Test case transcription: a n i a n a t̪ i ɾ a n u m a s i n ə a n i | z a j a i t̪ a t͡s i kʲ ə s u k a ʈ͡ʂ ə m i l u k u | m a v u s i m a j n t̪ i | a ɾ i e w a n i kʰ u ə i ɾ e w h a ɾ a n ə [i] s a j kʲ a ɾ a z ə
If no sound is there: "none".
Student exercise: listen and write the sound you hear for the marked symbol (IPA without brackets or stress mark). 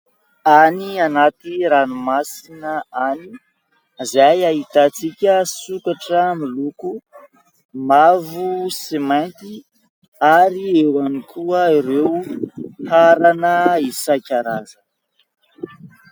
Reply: i